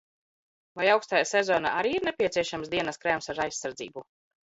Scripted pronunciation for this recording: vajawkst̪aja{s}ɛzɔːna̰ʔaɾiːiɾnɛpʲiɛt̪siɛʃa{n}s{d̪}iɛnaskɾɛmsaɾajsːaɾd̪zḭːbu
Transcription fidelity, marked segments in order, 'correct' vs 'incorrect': correct, incorrect, correct

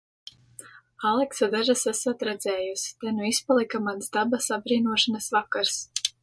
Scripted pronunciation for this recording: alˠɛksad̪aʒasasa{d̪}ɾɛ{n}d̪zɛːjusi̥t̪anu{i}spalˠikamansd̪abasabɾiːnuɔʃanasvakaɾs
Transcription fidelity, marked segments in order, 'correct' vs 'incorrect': incorrect, incorrect, correct

